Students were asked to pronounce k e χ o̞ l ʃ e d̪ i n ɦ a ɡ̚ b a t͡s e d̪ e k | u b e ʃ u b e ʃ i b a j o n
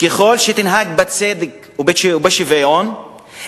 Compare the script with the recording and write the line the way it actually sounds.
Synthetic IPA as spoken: k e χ o̞ l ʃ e t̪ i n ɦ a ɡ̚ b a t͡s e d̪ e k | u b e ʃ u b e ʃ i v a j o n